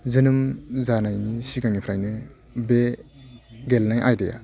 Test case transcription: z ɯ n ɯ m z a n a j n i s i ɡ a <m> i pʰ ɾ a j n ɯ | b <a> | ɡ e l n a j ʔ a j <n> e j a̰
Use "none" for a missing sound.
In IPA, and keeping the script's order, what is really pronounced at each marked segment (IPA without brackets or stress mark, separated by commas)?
ŋ, e, d